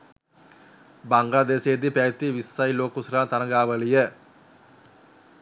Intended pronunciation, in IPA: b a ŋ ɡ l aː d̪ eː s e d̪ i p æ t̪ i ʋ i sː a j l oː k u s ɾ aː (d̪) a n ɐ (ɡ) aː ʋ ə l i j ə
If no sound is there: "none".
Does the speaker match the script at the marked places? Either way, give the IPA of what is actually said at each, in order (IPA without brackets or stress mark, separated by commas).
t̪, ɡ